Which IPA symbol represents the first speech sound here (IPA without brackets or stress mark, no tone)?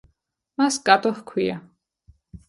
m